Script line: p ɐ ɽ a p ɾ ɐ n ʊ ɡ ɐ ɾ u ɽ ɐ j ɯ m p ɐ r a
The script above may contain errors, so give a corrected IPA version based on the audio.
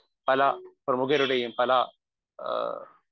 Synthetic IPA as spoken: p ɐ l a p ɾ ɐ m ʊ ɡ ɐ ɾ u ɽ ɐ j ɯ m p ɐ l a